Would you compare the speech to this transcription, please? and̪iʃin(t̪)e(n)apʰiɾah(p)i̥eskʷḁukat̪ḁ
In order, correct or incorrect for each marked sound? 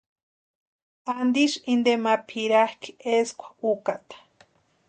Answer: incorrect, incorrect, incorrect

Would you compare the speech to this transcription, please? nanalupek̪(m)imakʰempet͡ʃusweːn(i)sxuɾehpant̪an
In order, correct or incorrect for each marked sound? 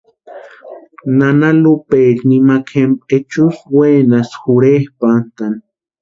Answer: incorrect, incorrect

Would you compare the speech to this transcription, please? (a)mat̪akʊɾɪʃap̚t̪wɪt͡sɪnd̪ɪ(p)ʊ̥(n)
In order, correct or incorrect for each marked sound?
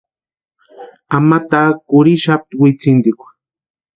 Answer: correct, incorrect, incorrect

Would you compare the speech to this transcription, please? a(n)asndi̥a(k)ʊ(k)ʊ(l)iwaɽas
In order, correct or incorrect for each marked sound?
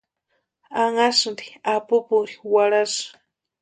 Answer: incorrect, incorrect, incorrect, incorrect

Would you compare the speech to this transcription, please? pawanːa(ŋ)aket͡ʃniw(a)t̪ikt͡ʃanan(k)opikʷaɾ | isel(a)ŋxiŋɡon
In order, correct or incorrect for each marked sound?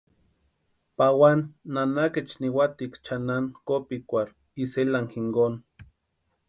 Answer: incorrect, correct, correct, correct

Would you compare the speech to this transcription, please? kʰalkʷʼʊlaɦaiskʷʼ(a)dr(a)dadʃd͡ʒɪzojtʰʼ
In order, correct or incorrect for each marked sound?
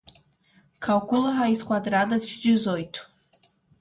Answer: correct, correct

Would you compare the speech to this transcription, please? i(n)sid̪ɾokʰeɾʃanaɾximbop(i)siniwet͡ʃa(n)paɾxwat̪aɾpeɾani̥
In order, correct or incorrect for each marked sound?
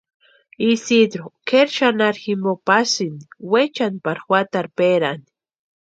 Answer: incorrect, incorrect, correct

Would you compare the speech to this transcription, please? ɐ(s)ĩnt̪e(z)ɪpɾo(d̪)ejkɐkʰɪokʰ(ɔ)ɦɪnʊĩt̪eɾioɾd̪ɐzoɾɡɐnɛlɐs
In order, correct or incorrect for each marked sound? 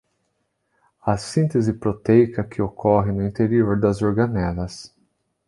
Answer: correct, correct, incorrect, correct

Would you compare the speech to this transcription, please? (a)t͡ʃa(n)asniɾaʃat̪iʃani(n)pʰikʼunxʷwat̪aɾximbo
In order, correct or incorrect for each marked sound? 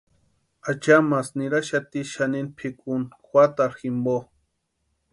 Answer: correct, incorrect, correct

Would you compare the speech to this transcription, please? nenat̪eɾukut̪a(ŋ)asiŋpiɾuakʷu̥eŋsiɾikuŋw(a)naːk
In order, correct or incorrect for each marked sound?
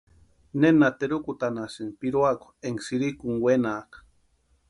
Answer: incorrect, incorrect

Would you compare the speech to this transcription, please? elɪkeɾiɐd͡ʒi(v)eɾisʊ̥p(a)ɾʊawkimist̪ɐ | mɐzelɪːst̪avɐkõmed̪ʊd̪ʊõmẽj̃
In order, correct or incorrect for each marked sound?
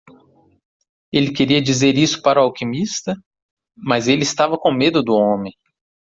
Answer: incorrect, correct

